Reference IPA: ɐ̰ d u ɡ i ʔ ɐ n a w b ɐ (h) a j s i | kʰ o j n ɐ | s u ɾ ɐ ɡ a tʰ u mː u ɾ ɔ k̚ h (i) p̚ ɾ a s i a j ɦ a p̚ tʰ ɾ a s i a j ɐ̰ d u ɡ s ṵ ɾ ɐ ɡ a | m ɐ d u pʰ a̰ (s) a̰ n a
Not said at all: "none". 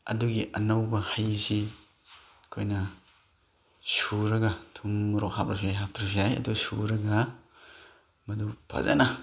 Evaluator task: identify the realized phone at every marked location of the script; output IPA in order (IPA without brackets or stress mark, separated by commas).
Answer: h, a, z